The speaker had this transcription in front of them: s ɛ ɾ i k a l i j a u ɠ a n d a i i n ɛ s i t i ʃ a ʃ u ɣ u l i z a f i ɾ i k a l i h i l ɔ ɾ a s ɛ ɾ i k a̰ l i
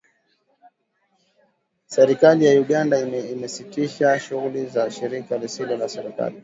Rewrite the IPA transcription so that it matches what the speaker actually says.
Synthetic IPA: s ɛ ɾ i k a l i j a u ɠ a n d a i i m ɛ s i t i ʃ a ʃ u ɣ u l i z a ʃ i ɾ i k a l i s i l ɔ l a s ɛ ɾ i k a̰ l i